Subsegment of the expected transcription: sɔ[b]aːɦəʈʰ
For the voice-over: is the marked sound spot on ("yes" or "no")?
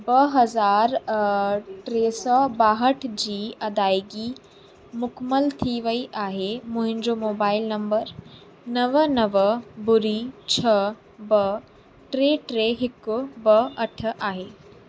yes